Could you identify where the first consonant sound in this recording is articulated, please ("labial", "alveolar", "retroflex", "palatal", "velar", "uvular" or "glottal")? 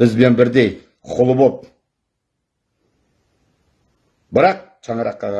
alveolar